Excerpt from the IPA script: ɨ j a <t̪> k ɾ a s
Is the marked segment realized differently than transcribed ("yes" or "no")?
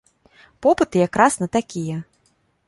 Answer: yes